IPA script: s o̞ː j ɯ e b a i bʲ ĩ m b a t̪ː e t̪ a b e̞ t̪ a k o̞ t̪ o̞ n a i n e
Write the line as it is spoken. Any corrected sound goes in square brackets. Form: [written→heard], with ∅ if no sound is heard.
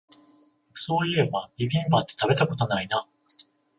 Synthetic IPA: s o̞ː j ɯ e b a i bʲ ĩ m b a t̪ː e t̪ a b e̞ t̪ a k o̞ t̪ o̞ n a i n [e→a]